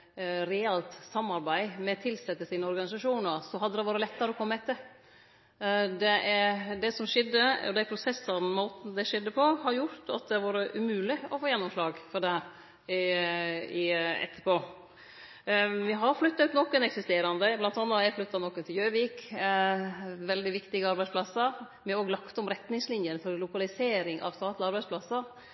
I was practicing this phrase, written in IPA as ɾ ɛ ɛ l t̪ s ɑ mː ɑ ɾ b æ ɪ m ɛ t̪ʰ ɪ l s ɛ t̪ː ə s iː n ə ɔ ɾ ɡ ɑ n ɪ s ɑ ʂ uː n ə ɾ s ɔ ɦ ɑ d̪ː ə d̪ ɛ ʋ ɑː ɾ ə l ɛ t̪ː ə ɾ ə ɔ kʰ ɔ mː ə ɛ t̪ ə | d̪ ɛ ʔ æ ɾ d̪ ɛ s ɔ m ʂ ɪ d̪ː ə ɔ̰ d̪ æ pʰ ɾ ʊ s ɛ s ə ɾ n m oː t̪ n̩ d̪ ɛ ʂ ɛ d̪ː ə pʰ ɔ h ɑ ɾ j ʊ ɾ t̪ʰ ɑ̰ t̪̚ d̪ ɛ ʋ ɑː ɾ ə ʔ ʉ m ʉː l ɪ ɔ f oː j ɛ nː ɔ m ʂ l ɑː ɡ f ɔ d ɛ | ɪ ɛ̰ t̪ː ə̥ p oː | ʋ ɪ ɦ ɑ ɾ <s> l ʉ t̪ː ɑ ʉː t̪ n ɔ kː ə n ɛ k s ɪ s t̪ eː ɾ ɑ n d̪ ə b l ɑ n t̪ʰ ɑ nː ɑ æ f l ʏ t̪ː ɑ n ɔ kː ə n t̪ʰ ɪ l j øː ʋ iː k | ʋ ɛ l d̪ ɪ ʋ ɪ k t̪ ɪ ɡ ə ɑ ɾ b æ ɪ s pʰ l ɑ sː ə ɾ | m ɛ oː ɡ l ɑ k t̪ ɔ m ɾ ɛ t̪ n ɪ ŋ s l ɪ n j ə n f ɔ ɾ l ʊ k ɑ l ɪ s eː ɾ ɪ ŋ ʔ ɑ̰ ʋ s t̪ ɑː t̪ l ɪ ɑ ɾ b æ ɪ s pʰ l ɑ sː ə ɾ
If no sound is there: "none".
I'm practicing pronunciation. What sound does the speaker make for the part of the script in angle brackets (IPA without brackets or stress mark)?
f